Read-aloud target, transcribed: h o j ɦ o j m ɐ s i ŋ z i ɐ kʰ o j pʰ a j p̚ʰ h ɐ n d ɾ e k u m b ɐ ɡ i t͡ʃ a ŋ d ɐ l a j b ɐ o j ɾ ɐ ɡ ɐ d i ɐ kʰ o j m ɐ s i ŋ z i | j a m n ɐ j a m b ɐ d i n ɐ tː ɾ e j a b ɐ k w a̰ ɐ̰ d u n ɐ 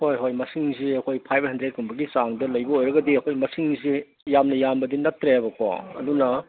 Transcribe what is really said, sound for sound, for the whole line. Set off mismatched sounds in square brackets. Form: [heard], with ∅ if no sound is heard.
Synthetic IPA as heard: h o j ɦ o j m ɐ s i ŋ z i ɐ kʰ o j pʰ a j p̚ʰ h ɐ n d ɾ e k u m b ɐ ɡ i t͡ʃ a ŋ d ɐ l [ɐ] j b ɐ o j ɾ ɐ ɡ ɐ d i ɐ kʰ o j m ɐ s i ŋ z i | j a m n ɐ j a m b ɐ d i n ɐ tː ɾ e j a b ɐ k w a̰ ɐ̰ d u n ɐ